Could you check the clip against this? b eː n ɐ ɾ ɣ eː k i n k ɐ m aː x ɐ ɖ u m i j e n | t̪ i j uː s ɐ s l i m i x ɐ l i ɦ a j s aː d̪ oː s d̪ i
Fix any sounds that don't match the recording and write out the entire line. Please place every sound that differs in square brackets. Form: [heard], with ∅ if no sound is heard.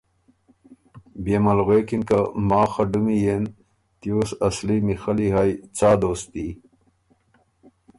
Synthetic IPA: b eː [m] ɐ [l] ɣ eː k i n k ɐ m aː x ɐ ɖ u m i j e n | t̪ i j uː s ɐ s l i m i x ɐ l i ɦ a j [t͡s] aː d̪ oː s [t̪] i